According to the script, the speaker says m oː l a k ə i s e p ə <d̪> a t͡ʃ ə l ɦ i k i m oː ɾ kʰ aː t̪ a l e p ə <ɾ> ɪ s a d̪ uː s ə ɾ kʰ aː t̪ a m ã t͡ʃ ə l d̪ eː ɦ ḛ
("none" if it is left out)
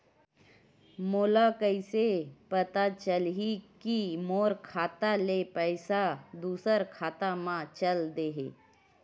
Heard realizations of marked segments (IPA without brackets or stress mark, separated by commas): t̪, none